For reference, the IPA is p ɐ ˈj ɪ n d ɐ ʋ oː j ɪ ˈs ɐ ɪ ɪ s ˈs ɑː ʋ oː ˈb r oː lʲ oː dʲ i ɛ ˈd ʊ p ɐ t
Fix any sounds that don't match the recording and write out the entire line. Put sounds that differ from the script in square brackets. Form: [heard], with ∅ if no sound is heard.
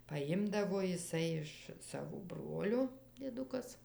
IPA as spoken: p ɐ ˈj ɪ [m] d ɐ ʋ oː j ɪ ˈs ɐ ɪ ɪ [ʃ] ˈs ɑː ʋ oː ˈb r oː lʲ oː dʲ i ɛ ˈd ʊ [k] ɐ [s]